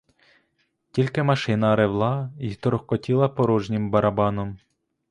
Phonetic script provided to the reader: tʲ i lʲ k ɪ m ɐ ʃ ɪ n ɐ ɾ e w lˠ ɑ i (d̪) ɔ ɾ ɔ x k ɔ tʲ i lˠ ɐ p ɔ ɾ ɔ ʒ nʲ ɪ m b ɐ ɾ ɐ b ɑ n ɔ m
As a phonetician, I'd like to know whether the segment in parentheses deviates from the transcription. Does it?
yes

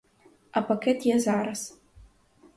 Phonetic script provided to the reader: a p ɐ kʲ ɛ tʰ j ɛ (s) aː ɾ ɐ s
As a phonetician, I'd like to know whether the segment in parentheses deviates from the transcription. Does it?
yes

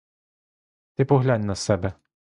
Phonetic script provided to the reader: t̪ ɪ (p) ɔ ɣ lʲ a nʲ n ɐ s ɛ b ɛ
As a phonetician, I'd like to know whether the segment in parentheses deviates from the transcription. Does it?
no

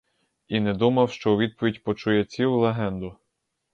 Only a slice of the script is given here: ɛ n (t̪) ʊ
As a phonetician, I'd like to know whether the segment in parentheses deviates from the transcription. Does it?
yes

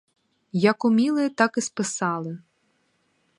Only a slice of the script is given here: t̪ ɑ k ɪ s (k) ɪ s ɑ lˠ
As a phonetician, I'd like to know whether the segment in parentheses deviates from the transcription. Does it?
yes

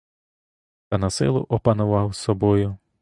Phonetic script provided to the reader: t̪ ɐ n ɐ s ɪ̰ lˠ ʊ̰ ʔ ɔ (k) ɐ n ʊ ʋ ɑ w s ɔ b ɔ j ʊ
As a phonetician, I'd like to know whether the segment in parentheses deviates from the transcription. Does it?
yes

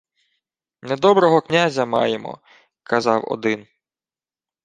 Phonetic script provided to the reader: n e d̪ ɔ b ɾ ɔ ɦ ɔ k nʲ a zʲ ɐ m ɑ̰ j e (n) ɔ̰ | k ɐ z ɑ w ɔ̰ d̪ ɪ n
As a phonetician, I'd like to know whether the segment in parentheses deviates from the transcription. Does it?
yes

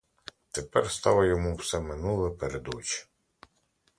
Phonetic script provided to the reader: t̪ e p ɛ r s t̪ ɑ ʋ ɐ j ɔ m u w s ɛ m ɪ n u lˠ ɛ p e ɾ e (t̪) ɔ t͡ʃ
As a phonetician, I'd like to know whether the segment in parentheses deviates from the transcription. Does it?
yes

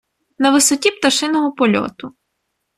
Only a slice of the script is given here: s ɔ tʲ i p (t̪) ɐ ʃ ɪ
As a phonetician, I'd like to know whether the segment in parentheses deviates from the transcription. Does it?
no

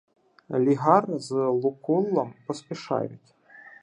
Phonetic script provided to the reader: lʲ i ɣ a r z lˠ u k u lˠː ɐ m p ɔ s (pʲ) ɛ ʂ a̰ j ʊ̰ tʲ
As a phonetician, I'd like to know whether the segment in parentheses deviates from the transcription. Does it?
no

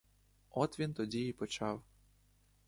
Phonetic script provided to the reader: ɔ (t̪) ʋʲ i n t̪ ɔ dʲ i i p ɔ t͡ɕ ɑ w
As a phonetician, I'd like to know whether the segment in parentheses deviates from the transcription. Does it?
no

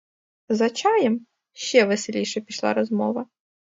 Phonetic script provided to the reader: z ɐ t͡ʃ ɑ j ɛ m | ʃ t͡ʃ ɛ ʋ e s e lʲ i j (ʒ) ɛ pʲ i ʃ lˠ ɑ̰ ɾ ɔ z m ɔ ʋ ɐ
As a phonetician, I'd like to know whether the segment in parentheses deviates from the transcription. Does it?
yes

